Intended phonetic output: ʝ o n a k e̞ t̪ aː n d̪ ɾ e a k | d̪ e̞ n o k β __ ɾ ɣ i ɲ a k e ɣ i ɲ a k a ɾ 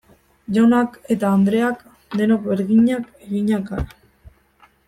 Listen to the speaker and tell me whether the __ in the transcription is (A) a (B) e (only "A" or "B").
B